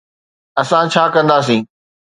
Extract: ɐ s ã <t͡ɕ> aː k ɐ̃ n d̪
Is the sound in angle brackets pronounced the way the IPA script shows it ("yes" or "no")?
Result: no